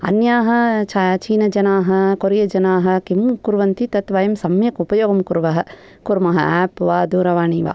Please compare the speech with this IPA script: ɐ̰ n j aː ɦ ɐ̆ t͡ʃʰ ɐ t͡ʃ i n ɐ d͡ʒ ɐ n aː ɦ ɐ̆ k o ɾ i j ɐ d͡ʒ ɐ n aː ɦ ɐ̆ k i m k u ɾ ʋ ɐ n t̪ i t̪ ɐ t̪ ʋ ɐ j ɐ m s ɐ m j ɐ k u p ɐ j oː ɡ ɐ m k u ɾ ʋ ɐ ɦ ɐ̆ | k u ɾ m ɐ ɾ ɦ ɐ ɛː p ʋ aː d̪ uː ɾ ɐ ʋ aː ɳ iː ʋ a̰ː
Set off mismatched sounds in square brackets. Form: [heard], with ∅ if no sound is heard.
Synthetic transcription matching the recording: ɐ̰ n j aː ɦ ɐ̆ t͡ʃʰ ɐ t͡ʃ [iː] n ɐ d͡ʒ ɐ n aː ɦ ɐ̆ k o ɾ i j ɐ d͡ʒ ɐ n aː ɦ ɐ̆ k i m k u ɾ ʋ ɐ n t̪ i t̪ ɐ t̪ ʋ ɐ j ɐ m s ɐ m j ɐ k u p ɐ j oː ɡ ɐ m k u ɾ ʋ ɐ ɦ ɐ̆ | k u ɾ m ɐ [∅] ɦ ɐ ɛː p ʋ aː d̪ uː ɾ ɐ ʋ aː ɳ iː ʋ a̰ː